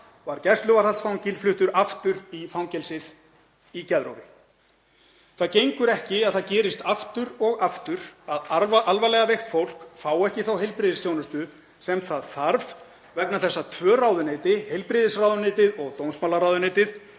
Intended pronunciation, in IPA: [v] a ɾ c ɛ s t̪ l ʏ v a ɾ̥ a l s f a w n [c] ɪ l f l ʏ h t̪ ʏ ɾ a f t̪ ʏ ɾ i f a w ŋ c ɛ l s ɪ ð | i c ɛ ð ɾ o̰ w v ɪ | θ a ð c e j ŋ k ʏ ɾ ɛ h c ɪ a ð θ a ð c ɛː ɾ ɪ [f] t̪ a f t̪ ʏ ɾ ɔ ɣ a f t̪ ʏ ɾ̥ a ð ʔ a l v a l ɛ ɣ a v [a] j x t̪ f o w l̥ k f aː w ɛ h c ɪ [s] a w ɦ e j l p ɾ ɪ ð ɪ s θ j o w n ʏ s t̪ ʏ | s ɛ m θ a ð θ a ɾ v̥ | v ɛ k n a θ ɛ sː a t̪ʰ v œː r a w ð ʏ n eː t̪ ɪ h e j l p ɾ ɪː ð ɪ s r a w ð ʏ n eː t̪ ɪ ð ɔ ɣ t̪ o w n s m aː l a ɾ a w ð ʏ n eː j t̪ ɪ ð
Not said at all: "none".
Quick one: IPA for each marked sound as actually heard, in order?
v, c, s, e, θ

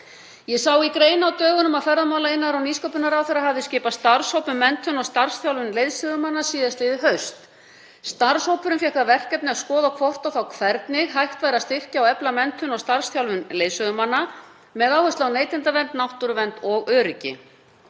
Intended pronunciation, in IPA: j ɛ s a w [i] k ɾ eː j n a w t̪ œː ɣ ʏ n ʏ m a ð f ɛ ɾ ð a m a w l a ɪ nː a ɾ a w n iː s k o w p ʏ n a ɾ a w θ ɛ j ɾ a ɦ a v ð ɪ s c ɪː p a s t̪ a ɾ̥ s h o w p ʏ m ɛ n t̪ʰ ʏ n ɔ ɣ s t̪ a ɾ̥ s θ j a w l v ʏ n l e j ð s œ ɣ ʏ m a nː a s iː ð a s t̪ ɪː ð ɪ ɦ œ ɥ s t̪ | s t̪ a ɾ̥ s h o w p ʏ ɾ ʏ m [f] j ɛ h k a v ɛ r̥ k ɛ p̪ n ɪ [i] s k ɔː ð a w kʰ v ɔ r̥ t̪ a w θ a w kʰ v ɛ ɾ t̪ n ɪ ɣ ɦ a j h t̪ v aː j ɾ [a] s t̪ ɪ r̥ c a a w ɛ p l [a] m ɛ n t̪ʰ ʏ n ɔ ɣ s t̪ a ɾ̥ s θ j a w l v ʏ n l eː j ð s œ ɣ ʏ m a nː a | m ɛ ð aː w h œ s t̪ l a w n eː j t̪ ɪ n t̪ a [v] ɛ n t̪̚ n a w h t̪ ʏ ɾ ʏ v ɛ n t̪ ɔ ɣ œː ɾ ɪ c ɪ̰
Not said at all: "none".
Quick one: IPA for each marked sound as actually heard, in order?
i, f, a, a, a, v

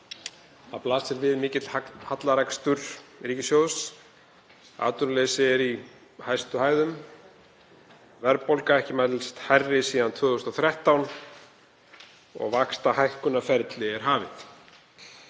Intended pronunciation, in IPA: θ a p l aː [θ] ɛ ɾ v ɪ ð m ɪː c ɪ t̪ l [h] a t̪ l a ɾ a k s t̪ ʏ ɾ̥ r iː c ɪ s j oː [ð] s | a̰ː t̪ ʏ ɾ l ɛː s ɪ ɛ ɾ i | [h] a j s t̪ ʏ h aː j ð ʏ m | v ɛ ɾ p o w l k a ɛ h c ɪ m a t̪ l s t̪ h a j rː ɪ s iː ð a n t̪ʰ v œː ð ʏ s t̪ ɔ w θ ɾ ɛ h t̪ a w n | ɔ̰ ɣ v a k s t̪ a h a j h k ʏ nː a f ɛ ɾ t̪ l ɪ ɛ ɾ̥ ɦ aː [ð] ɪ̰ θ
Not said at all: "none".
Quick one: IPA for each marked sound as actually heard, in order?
s, h, ð, h, v

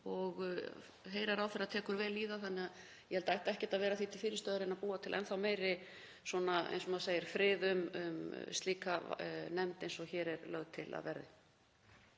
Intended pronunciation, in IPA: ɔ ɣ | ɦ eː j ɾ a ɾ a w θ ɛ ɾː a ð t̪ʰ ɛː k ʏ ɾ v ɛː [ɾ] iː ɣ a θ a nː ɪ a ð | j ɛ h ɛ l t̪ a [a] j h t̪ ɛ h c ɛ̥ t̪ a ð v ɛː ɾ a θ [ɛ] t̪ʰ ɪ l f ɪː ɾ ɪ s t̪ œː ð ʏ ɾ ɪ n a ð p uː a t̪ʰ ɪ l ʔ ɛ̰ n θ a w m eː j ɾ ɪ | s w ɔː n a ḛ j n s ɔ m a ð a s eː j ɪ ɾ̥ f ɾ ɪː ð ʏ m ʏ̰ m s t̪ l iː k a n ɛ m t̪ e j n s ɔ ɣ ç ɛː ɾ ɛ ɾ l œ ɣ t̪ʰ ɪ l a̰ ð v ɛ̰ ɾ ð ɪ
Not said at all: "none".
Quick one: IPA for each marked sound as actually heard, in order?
l, ɛ, i

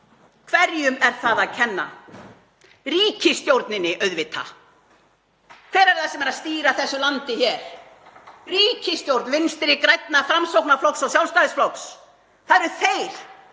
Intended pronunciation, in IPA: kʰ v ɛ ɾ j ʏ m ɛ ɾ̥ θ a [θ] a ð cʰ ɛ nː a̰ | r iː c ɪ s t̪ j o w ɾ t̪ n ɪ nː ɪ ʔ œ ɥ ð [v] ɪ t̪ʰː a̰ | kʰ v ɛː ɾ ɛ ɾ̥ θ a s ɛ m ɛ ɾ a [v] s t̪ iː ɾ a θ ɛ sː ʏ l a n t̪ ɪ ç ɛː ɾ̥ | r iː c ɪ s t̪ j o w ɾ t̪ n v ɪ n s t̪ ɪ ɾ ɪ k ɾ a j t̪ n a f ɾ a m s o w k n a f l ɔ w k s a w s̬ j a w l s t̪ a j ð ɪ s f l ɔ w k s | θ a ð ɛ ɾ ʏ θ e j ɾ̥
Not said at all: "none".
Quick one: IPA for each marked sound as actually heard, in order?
ð, v, ð

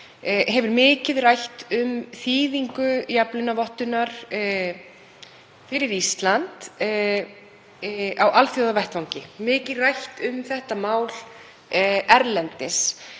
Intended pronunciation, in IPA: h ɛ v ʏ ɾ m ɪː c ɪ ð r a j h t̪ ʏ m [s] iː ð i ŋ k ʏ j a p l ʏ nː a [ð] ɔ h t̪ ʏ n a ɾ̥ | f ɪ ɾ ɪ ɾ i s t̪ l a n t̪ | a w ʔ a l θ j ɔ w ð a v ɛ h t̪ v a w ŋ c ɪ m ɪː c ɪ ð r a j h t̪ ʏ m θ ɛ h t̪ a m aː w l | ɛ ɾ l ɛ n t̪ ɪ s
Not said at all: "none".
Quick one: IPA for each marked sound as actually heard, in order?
θ, v

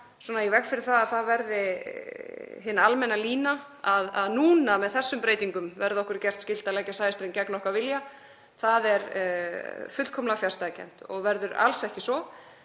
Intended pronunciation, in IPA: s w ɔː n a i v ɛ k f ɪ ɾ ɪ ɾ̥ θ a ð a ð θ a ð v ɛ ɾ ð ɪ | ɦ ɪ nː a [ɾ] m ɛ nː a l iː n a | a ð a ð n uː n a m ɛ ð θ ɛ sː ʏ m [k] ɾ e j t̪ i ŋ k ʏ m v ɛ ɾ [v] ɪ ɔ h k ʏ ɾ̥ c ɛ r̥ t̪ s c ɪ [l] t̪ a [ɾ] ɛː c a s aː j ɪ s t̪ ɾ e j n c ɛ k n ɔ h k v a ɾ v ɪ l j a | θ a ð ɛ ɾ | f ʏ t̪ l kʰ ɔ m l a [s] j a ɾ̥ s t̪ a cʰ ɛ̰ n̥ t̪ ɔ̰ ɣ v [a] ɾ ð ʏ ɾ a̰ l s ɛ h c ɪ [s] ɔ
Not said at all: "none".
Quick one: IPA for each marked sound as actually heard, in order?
l, p, ð, l, l, f, ɛ, s

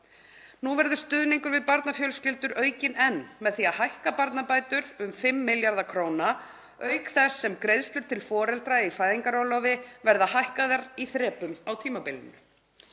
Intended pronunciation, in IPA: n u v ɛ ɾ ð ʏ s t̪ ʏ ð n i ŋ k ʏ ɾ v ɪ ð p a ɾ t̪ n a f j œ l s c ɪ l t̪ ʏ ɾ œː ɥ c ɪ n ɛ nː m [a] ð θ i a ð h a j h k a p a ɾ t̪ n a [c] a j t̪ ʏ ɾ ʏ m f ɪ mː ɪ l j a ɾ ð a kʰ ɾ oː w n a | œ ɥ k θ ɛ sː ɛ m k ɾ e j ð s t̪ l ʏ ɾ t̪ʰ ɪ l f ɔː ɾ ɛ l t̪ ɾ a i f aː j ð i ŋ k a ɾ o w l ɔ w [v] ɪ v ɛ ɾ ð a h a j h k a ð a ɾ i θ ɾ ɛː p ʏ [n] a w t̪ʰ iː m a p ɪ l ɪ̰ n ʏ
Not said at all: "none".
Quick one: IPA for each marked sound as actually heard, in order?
ɛ, p, v, m

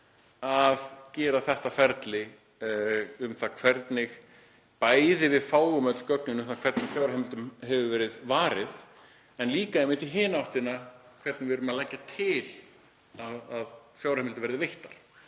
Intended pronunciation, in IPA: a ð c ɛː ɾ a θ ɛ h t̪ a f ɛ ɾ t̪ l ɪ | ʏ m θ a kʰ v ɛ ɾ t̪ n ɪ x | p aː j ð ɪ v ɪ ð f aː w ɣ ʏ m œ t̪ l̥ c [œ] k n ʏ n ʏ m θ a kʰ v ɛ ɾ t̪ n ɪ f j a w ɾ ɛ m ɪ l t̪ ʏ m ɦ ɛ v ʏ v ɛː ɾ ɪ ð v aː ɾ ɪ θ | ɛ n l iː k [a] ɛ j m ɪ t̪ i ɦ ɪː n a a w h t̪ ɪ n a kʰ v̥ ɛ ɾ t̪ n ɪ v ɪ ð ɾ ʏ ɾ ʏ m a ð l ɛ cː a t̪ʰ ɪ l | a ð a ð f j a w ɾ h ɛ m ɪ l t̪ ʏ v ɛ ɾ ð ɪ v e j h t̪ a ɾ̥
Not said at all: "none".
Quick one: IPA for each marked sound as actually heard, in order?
œ, a

